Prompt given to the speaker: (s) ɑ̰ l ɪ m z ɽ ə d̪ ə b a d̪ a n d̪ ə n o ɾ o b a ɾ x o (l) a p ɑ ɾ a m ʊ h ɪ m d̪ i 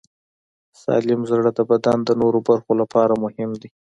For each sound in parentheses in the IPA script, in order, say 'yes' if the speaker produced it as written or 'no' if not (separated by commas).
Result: yes, yes